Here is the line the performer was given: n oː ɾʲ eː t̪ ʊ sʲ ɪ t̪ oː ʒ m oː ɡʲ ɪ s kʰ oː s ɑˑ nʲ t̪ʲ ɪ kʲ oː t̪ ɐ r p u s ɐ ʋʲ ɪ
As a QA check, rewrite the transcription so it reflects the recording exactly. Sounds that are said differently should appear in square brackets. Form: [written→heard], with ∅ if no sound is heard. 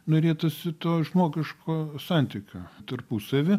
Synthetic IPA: n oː ɾʲ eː t̪ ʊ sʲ ɪ t̪ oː ʒ m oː ɡʲ ɪ [s→ʃ] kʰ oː s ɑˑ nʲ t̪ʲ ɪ kʲ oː t̪ ɐ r p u s ɐ ʋʲ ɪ